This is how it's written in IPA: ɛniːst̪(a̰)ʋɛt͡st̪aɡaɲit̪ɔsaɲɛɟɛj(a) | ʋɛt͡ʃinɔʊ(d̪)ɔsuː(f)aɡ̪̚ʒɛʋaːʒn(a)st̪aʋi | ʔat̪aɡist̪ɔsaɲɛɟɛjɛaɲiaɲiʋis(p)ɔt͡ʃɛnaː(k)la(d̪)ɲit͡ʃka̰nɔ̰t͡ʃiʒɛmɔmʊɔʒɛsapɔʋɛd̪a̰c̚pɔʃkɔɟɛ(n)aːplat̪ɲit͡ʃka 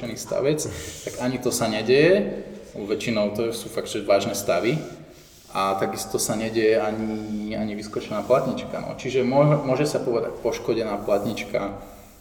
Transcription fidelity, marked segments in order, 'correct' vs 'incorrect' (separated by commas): correct, incorrect, incorrect, correct, incorrect, incorrect, incorrect, incorrect, correct